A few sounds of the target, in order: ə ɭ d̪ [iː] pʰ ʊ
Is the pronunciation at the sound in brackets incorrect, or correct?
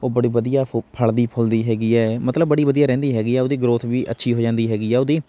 correct